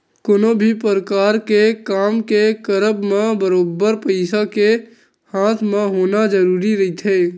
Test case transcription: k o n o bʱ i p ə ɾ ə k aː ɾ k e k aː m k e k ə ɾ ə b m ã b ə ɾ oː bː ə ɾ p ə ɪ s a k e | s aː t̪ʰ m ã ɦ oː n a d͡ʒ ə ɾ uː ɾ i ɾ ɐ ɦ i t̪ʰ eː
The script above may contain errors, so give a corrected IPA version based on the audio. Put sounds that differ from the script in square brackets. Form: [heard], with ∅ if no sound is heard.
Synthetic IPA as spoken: k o n o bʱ i p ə ɾ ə k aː ɾ k e k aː m k e k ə ɾ ə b m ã b ə ɾ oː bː ə ɾ p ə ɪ s a k e | [h] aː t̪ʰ m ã ɦ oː n a d͡ʒ ə ɾ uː ɾ i ɾ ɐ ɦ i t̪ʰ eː